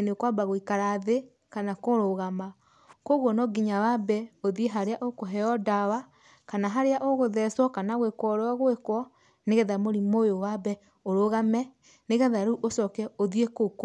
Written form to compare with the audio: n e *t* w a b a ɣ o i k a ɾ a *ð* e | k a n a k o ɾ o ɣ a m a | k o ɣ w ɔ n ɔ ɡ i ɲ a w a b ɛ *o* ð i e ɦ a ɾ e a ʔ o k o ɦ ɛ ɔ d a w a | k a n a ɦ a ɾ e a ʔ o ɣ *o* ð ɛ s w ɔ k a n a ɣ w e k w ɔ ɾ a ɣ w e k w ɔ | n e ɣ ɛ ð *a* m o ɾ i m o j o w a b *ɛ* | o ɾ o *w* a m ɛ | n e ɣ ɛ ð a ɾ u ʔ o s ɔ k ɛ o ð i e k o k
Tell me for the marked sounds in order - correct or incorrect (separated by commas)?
incorrect, correct, correct, correct, correct, correct, incorrect